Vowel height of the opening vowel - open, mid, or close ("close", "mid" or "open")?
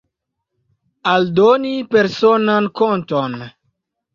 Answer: open